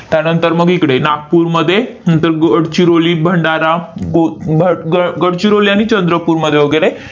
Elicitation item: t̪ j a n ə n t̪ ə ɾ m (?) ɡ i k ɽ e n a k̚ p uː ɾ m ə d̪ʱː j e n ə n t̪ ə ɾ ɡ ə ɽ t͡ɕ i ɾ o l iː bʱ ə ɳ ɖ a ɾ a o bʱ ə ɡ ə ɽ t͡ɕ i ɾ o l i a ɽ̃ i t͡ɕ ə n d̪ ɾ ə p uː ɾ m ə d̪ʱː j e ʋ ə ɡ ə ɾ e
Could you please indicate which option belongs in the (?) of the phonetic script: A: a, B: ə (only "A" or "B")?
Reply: B